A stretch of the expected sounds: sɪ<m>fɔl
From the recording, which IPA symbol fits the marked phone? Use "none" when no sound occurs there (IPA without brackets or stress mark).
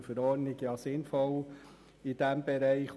n